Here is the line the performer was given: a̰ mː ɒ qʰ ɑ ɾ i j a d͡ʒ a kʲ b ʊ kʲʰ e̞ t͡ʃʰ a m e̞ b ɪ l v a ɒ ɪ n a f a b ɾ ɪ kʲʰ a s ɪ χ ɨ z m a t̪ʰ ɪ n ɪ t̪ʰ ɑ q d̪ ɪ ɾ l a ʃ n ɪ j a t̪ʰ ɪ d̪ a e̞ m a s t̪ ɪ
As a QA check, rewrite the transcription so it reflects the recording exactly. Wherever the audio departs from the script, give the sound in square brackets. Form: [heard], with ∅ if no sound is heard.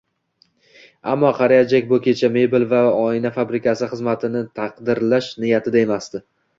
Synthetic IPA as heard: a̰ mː ɒ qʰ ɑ ɾ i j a d͡ʒ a kʲ b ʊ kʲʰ e̞ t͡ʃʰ a m e̞ b ɪ l v a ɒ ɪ n a f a b ɾ ɪ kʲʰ a s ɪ χ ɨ z m a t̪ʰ ɪ n ɪ t̪ʰ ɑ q d̪ ɪ ɾ l a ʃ n ɪ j a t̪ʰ ɪ d̪ a e̞ m a s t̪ ɪ